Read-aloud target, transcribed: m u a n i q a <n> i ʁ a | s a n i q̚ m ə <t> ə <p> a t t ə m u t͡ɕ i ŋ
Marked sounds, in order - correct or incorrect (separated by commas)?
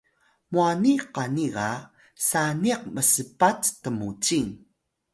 correct, incorrect, correct